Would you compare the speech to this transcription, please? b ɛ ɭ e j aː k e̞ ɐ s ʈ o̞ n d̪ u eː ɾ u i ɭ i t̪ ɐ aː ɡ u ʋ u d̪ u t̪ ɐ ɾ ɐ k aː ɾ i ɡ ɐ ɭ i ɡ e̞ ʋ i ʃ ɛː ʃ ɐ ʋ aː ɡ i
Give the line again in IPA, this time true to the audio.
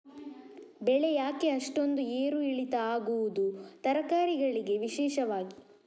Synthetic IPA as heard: b ɛ ɭ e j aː k e̞ ɐ ʂ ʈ o̞ n d̪ u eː ɾ u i ɭ i t̪ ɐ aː ɡ u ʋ u d̪ u t̪ ɐ ɾ ɐ k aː ɾ i ɡ ɐ ɭ i ɡ e̞ ʋ i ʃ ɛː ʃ ɐ ʋ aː ɡ i